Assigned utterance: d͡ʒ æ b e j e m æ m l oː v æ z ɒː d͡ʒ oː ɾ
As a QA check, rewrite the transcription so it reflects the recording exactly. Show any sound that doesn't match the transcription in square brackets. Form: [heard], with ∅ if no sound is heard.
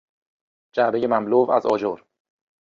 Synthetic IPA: d͡ʒ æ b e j e m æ m l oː v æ z ɒː d͡ʒ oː ɾ

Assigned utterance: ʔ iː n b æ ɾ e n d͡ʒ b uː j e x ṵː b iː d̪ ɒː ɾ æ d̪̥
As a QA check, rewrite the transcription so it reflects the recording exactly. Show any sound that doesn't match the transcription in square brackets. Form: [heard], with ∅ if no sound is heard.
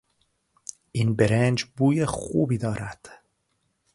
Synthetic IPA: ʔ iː n b [e] ɾ e n d͡ʒ b uː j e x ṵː b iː d̪ ɒː ɾ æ d̪̥

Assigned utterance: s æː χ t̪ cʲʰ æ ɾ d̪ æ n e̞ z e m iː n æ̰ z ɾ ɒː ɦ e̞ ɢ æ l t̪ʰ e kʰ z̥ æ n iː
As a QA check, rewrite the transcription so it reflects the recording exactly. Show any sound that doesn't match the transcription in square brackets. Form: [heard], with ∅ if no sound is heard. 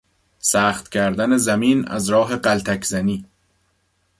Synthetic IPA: s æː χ t̪ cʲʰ æ ɾ d̪ æ n e̞ z [æ] m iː n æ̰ z ɾ ɒː ɦ e̞ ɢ æ l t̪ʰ [æ] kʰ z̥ æ n iː

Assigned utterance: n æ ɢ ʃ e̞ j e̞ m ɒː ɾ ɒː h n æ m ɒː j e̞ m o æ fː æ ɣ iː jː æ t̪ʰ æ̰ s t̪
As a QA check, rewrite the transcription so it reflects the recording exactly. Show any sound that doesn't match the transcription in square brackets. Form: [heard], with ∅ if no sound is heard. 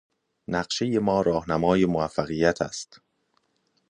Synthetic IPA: n æ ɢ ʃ e̞ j e̞ m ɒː ɾ ɒː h n æ m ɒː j e̞ m o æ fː æ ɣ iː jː æ t̪ʰ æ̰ s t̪

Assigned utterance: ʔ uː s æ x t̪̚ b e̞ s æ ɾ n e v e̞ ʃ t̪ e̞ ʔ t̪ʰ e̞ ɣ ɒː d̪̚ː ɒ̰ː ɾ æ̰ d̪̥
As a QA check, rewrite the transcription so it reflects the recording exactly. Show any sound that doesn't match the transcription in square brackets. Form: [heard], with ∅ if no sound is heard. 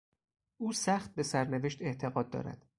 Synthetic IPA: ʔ uː s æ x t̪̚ b e̞ s æ ɾ n e v e̞ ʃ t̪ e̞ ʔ t̪ʰ e̞ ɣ ɒː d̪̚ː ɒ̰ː ɾ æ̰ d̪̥

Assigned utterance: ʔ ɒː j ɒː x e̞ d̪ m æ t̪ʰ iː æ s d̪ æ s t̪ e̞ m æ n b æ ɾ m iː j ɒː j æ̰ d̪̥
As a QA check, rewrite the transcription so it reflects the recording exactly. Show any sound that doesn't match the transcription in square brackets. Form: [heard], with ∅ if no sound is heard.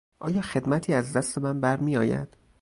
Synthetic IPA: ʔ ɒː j ɒː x e̞ d̪ m æ t̪ʰ iː æ [z] d̪ æ s t̪ e̞ m æ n b æ ɾ m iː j ɒː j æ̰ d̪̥

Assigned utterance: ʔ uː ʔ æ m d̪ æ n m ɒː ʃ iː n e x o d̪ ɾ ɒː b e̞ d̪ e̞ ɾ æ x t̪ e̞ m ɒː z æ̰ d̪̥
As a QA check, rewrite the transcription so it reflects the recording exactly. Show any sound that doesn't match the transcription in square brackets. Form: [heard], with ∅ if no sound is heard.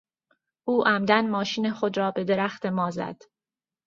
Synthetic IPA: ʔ uː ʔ æ m d̪ æ n m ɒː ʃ iː n e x o d̪ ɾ ɒː b e̞ d̪ e̞ ɾ æ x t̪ e̞ m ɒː z æ̰ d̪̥

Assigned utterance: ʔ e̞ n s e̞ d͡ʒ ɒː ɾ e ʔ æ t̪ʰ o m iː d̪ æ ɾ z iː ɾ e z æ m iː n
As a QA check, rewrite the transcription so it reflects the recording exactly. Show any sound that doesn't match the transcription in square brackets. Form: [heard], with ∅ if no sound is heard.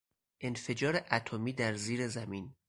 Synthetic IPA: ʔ e̞ n [f] e̞ d͡ʒ ɒː ɾ e ʔ æ t̪ʰ o m iː d̪ æ ɾ z iː ɾ e z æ m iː n

